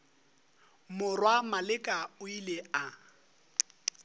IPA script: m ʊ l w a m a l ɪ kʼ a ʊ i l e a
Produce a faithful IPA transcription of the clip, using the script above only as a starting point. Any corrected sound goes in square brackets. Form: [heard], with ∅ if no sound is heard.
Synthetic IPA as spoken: m ʊ [r] w a m a l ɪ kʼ a ʊ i l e a